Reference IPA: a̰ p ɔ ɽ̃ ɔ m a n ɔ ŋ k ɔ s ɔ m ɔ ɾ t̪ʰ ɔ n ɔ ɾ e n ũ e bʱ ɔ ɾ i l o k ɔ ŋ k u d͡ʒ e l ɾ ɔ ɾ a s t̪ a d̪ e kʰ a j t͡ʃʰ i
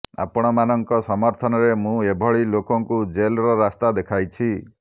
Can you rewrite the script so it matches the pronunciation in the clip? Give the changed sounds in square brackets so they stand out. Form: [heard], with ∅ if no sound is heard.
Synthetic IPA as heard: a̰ p ɔ ɽ̃ ɔ m a n ɔ ŋ k ɔ s ɔ m ɔ ɾ t̪ʰ ɔ n ɔ ɾ e [m] ũ e bʱ ɔ [ɭ] i l o k ɔ ŋ k u d͡ʒ e l ɾ ɔ ɾ a s t̪ a d̪ e kʰ a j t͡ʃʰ i